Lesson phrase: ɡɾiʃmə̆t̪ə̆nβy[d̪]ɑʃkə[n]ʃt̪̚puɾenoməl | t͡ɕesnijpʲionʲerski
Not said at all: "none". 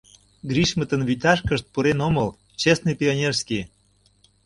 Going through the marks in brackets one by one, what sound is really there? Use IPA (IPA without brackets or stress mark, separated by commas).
t̪, none